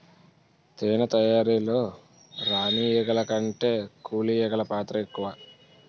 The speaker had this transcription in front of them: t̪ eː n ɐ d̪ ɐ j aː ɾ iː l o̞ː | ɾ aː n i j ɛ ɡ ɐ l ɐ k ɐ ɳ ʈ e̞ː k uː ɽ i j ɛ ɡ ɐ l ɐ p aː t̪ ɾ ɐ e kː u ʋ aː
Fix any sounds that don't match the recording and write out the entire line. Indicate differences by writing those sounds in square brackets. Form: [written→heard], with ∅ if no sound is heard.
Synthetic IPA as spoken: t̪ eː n ɐ [d̪→t̪] ɐ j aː ɾ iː l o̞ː | ɾ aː n i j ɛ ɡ ɐ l ɐ k ɐ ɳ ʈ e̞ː k uː [ɽ→l] i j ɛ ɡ ɐ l ɐ p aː t̪ ɾ ɐ e kː u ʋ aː

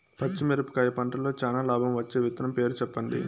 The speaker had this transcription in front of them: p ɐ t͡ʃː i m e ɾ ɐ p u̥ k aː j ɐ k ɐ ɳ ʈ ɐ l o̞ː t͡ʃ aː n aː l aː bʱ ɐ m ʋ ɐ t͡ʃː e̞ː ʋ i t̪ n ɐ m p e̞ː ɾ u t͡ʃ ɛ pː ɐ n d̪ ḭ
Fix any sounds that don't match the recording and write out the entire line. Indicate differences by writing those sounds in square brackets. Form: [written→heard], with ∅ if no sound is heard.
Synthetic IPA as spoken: p ɐ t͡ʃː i m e ɾ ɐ p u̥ k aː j ɐ [k→p] ɐ ɳ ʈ ɐ l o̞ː t͡ʃ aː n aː l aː bʱ ɐ m ʋ ɐ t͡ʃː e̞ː ʋ i t̪ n ɐ m p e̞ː ɾ u t͡ʃ ɛ pː ɐ n d̪ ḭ

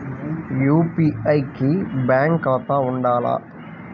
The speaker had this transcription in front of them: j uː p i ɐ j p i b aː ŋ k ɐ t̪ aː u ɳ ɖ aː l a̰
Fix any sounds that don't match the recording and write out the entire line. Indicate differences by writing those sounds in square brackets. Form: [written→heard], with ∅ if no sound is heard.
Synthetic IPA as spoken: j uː p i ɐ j [p→k] i b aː ŋ k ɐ t̪ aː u ɳ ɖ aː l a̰

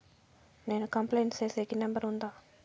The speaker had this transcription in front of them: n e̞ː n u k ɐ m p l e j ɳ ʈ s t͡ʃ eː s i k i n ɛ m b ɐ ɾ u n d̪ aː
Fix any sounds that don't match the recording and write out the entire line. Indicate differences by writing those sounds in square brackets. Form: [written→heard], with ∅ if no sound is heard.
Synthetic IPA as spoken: n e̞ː n u k ɐ m p l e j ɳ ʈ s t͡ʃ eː s [i→e] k i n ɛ m b ɐ ɾ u n d̪ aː

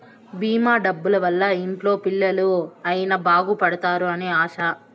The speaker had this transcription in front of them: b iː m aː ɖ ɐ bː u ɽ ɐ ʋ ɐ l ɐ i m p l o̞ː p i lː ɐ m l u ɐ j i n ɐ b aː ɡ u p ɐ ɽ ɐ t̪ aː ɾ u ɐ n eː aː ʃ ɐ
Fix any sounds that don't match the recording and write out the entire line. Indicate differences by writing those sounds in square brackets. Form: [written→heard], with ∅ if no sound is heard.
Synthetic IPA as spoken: b iː m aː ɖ ɐ bː u [ɽ→l] ɐ ʋ ɐ [l→lː] ɐ i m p l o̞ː p i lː ɐ [m→∅] l u ɐ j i n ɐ b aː ɡ u p ɐ ɽ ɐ t̪ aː ɾ u ɐ n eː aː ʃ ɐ

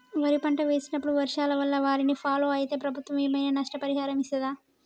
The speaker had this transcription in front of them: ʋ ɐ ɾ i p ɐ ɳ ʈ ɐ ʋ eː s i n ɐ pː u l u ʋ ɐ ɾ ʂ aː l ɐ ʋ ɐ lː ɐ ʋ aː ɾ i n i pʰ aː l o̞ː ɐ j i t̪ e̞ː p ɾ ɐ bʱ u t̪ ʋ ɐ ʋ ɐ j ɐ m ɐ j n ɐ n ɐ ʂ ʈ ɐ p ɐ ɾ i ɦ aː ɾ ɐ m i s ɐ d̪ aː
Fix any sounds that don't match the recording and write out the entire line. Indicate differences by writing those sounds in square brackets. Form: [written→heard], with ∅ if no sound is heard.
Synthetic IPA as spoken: ʋ ɐ ɾ i p ɐ ɳ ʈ ɐ ʋ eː s i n ɐ pː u [l→ɽ] u ʋ ɐ ɾ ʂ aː l ɐ ʋ ɐ lː ɐ ʋ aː ɾ i n i pʰ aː l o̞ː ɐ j i t̪ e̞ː p ɾ ɐ bʱ u t̪ ʋ ɐ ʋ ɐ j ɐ m ɐ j n ɐ n ɐ ʂ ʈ ɐ p ɐ ɾ i ɦ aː ɾ ɐ m i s ɐ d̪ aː

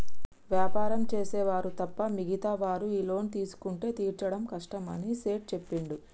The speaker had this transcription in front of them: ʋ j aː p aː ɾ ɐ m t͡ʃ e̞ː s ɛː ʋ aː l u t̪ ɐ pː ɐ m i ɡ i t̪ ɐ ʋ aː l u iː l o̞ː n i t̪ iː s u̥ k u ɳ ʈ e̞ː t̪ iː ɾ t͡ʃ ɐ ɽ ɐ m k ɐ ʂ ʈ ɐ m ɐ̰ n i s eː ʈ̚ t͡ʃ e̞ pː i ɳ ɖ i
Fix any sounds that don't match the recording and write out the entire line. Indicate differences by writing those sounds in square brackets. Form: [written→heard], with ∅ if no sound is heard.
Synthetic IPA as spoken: ʋ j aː p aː ɾ ɐ m t͡ʃ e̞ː s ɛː ʋ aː [l→ɾ] u t̪ ɐ pː ɐ m i ɡ i t̪ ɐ ʋ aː [l→ɾ] u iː l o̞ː n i t̪ iː s u̥ k u ɳ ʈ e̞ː t̪ iː ɾ t͡ʃ ɐ ɽ ɐ m k ɐ ʂ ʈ ɐ m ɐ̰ n i s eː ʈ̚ t͡ʃ e̞ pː i ɳ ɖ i

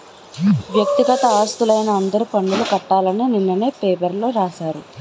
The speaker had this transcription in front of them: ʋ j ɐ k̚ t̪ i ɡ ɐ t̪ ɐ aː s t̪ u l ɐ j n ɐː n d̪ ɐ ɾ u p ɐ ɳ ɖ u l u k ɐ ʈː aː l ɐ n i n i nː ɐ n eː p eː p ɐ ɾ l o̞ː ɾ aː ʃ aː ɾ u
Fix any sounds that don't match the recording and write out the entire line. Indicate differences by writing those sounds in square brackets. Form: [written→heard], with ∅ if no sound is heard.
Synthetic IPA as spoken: ʋ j ɐ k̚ t̪ i ɡ ɐ t̪ ɐ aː s t̪ u l ɐ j n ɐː n d̪ ɐ ɾ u p ɐ ɳ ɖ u l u k ɐ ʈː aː l ɐ n i n i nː ɐ n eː p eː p ɐ ɾ l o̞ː ɾ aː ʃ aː ɾ u

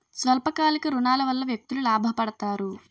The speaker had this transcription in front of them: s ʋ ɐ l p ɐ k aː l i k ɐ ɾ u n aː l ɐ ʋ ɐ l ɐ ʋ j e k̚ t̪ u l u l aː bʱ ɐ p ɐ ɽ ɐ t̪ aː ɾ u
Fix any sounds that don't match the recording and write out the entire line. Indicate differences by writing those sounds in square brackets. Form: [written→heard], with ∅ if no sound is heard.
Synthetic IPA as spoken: s ʋ ɐ l p ɐ k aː l i k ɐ ɾ u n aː l ɐ ʋ ɐ [l→lː] ɐ ʋ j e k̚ t̪ u l u l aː bʱ ɐ p ɐ ɽ ɐ t̪ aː ɾ u

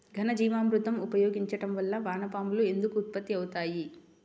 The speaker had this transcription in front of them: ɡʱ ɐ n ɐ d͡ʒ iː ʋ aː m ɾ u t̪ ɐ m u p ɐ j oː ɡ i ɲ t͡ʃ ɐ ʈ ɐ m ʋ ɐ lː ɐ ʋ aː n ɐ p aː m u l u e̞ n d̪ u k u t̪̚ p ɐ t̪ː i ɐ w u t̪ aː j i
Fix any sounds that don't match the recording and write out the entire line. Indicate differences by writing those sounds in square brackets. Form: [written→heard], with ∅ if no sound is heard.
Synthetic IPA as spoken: ɡʱ ɐ n ɐ d͡ʒ iː ʋ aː m ɾ u t̪ ɐ m u p ɐ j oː ɡ i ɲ t͡ʃ ɐ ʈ ɐ m ʋ ɐ lː ɐ ʋ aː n ɐ p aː m u l u e̞ n d̪ u k [u→uː] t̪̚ p ɐ t̪ː i ɐ w u t̪ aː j i

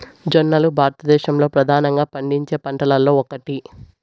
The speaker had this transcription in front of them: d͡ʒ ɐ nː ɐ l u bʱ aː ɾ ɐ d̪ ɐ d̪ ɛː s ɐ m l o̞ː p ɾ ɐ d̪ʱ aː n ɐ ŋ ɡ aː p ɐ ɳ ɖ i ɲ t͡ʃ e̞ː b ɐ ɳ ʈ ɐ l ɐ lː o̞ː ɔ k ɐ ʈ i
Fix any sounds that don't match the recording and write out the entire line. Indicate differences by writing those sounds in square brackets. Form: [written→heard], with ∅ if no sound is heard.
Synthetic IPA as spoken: d͡ʒ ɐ nː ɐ l u bʱ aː ɾ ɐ [d̪→t̪] ɐ d̪ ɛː [s→ʃ] ɐ m l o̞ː p ɾ ɐ d̪ʱ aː n ɐ ŋ ɡ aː p ɐ ɳ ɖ i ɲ t͡ʃ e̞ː [b→p] ɐ ɳ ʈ ɐ l ɐ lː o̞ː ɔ k ɐ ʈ i

